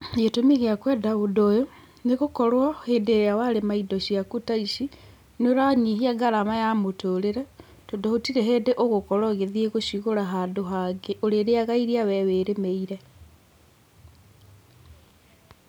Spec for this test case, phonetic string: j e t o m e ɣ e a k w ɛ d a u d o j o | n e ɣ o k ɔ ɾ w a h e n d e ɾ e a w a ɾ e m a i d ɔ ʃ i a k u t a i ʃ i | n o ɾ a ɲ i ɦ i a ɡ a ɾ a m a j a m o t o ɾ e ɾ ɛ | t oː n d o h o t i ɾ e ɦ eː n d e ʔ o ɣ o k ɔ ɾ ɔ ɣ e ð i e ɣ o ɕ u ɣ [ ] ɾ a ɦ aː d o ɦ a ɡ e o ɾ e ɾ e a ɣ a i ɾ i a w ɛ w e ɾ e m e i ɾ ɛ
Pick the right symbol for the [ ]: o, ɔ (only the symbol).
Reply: o